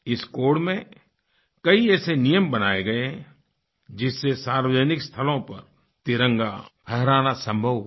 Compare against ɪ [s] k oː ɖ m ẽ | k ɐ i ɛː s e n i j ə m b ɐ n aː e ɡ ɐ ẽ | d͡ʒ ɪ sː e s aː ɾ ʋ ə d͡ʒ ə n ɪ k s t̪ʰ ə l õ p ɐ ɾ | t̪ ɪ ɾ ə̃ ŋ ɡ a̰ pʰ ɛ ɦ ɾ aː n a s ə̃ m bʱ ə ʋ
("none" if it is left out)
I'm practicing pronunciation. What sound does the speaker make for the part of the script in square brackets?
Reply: s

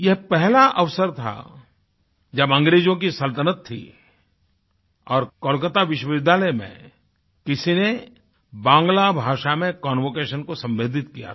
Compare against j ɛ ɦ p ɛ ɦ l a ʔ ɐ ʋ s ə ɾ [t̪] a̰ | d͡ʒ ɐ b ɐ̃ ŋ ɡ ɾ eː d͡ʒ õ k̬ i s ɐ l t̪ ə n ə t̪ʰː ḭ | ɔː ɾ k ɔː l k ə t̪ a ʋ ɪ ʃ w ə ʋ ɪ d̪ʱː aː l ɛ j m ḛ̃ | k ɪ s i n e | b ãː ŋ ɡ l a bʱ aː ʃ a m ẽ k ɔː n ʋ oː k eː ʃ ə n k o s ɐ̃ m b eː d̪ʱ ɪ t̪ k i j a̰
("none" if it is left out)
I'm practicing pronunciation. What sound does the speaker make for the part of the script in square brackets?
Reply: t̪ʰ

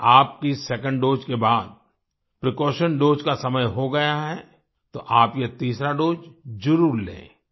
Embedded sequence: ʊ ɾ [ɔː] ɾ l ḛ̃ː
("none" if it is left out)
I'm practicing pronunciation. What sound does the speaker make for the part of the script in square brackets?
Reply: uː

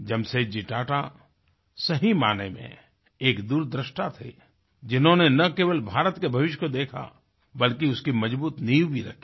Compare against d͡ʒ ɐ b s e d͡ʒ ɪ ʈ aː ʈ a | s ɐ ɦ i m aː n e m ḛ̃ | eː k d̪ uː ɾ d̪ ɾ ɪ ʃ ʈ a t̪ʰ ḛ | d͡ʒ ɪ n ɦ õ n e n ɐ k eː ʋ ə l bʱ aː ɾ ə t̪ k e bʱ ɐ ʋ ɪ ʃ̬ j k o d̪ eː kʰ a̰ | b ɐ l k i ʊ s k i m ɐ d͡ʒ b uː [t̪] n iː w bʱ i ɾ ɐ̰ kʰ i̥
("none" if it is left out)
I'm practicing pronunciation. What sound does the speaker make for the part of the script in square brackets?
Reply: t̪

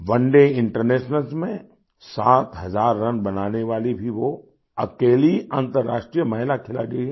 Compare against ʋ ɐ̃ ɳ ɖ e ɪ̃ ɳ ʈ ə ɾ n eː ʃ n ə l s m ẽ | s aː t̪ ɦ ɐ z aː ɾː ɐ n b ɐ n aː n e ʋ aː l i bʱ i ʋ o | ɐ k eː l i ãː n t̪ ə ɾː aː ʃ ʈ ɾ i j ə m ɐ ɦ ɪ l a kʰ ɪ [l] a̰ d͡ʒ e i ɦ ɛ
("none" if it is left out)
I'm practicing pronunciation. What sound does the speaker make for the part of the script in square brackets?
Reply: l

